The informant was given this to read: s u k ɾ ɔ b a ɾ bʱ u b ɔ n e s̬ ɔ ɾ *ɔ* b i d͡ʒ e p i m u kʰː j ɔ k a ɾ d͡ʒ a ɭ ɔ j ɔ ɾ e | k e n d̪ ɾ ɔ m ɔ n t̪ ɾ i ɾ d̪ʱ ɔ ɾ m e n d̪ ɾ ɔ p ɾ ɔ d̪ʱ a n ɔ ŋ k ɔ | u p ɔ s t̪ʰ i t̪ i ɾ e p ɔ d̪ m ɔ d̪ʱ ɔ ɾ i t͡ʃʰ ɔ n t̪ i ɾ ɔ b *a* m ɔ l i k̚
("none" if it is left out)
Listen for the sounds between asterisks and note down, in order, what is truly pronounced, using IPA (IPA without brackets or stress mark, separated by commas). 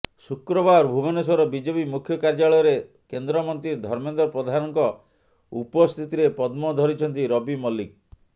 ɔ, i